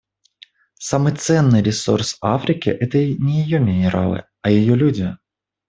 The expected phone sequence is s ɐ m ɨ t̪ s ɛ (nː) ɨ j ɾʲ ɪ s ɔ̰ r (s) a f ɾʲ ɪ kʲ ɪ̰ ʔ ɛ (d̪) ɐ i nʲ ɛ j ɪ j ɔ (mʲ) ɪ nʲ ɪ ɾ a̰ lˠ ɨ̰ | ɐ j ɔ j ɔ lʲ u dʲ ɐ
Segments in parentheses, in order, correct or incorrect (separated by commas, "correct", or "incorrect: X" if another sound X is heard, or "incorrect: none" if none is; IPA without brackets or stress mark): correct, correct, incorrect: t̪, correct